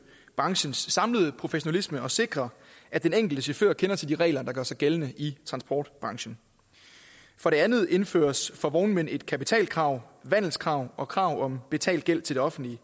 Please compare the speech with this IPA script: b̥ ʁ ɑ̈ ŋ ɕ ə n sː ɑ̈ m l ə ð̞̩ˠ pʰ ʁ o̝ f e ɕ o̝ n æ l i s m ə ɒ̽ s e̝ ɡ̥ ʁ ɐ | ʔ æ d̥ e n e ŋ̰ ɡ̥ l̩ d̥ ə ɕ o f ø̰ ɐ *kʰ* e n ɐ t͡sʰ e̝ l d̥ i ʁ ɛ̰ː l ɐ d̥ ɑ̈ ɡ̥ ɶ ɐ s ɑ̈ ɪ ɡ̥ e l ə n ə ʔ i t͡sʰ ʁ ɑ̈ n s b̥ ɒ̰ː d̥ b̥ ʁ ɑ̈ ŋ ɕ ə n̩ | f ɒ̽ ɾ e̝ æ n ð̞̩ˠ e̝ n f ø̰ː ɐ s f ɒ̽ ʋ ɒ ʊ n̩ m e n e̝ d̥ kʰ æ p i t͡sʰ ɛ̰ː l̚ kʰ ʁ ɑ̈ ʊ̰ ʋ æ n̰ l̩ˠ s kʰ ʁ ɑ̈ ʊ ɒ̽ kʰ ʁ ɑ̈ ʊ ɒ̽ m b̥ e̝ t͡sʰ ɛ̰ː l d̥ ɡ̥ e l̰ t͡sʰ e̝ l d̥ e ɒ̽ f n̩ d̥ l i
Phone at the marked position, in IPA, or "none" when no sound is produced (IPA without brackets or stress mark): kʰ